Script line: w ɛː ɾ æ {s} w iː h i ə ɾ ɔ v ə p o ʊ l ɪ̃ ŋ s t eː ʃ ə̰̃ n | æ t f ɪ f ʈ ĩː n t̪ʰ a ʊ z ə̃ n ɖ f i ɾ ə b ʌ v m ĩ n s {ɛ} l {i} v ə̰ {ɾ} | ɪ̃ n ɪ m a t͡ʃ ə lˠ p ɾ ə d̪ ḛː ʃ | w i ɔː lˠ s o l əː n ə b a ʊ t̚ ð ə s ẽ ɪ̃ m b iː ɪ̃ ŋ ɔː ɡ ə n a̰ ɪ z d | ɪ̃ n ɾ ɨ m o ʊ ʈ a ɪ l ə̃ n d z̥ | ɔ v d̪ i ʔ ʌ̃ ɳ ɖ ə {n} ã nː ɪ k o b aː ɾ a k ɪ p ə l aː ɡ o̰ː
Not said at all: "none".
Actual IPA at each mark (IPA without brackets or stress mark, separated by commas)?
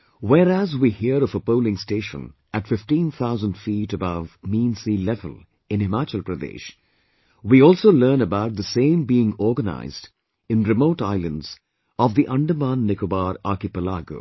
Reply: z, i, ɛ, l, m